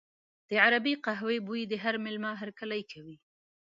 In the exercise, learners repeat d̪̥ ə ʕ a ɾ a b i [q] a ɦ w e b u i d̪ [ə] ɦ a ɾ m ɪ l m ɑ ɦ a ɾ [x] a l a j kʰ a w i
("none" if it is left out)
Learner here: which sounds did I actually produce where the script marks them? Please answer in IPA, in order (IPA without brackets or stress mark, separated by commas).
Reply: q, ə, k